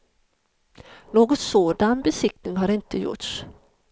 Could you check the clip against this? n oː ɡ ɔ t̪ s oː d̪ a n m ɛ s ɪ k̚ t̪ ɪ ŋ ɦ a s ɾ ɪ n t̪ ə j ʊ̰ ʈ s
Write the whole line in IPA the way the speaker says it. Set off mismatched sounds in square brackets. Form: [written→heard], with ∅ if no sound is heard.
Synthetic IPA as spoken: n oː ɡ ɔ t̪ s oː d̪ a n [m→b] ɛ s ɪ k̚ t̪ ɪ ŋ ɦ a [s→∅] ɾ ɪ n t̪ ə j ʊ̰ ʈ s